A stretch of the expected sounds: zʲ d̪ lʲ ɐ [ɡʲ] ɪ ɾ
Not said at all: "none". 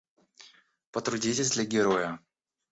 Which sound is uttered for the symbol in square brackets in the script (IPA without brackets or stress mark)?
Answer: ɡʲ